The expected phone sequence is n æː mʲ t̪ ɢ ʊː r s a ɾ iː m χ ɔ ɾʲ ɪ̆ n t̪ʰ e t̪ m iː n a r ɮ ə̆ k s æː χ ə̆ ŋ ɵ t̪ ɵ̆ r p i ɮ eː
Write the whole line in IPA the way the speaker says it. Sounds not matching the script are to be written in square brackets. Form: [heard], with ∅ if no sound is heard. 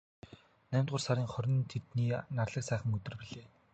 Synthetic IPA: n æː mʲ t̪ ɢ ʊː r s a ɾ iː [ŋ] χ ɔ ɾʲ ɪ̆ n t̪ʰ e t̪ [n] iː n a r ɮ ə̆ k s æː χ ə̆ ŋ ɵ t̪ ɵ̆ r p i ɮ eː